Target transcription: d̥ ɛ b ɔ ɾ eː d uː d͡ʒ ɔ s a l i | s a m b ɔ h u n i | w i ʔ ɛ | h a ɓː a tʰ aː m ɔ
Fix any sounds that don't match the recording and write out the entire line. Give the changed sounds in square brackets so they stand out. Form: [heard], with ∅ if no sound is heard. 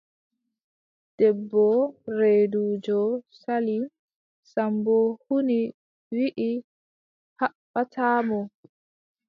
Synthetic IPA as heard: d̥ ɛ [bː] ɔ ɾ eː d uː d͡ʒ ɔ s a l i | s a m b ɔ h u n i | w i ʔ [i] | h a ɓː a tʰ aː m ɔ